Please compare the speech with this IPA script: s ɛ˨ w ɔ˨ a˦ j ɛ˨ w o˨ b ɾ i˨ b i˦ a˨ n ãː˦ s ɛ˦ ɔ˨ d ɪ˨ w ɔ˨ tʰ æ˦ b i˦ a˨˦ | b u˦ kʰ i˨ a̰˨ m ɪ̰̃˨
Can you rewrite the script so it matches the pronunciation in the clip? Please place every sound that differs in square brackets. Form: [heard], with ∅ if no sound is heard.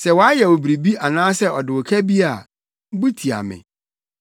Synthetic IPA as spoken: s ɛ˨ w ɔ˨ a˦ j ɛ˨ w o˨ b ɾ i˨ b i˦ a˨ n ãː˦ s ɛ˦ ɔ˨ d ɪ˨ w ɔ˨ [kʰ] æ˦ b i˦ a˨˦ | b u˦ [tʰ] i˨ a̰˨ m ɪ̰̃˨